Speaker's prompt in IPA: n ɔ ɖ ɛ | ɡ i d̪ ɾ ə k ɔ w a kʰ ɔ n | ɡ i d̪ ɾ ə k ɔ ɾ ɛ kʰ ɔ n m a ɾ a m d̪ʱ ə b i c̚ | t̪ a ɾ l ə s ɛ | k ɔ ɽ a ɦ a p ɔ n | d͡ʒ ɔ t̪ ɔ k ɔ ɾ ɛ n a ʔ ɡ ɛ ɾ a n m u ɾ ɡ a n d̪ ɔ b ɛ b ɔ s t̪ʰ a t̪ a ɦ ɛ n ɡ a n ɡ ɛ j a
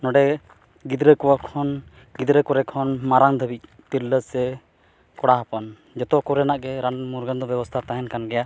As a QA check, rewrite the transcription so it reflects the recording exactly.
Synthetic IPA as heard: n ɔ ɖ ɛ | ɡ i d̪ ɾ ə k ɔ w a kʰ ɔ n | ɡ i d̪ ɾ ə k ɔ ɾ ɛ kʰ ɔ n m a ɾ a ŋ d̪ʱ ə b i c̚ | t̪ i ɾ l ə s ɛ | k ɔ ɽ a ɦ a p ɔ n | d͡ʒ ɔ t̪ ɔ k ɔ ɾ ɛ n a ʔ ɡ ɛ ɾ a n m u ɾ ɡ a n d̪ ɔ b ɛ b ɔ s t̪ʰ a t̪ a ɦ ɛ n k a n ɡ ɛ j a